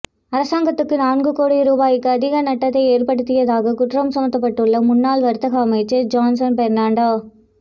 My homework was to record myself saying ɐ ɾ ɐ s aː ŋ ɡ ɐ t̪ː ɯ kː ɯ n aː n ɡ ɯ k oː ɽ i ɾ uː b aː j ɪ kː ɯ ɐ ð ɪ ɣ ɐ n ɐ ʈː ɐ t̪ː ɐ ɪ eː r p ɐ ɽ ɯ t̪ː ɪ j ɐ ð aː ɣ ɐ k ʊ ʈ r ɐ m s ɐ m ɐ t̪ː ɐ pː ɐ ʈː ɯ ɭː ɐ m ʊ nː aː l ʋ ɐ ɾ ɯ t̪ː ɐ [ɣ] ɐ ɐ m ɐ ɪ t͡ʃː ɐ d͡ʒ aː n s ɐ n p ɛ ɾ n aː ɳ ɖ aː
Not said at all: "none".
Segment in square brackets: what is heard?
ɣ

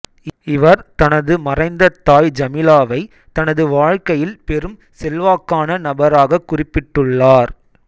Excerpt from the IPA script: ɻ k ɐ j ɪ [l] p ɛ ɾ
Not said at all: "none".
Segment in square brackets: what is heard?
l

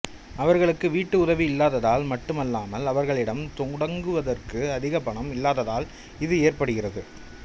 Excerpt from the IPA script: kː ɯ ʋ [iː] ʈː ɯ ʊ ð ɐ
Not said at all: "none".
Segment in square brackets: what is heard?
iː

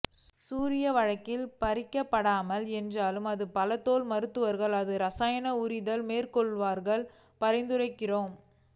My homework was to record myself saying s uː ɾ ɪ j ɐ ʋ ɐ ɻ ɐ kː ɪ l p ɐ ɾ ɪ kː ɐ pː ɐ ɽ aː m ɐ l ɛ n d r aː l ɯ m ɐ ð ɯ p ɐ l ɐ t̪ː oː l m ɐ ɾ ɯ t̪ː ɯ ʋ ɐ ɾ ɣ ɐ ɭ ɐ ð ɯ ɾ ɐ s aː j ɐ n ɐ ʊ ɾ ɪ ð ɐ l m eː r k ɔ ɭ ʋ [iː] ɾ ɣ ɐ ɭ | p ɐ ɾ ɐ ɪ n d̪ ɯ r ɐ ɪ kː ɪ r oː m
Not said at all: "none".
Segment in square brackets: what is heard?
aː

